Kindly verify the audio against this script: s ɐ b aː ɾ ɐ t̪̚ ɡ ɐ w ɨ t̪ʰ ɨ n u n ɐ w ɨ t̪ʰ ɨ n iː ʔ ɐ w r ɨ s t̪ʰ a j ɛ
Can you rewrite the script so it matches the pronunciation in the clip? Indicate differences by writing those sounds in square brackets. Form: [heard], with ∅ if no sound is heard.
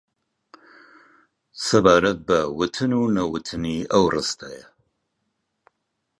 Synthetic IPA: s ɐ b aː ɾ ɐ t̪̚ [b] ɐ w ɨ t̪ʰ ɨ n u n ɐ w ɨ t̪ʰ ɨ n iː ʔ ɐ w r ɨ s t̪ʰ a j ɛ